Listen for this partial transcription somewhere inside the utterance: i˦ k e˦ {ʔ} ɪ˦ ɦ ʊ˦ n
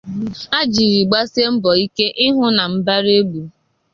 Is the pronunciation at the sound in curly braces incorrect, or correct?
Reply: correct